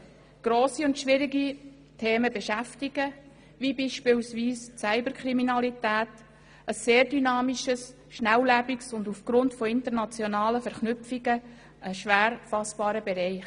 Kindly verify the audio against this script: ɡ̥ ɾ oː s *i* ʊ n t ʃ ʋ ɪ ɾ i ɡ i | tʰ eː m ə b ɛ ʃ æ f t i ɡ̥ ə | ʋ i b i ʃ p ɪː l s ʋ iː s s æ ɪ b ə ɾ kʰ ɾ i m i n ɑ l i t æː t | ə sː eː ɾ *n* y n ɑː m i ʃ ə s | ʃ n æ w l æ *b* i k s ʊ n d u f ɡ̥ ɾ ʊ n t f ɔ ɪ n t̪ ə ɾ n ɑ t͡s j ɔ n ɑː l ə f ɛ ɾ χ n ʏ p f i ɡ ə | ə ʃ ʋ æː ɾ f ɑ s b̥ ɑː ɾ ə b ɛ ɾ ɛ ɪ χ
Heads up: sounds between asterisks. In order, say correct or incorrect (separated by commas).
correct, incorrect, correct